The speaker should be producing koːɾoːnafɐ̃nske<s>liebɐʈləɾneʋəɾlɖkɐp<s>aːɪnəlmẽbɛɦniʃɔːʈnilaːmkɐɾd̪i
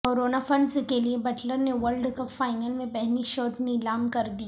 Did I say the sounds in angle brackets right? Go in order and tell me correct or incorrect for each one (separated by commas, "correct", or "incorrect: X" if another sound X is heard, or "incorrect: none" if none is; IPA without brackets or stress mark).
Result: incorrect: none, incorrect: f